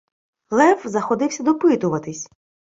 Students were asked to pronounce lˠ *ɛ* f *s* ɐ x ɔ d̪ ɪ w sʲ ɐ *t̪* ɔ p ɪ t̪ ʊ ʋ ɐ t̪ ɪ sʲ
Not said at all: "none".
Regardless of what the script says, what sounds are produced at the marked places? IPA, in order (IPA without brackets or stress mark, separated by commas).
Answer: ɛ, z, d̪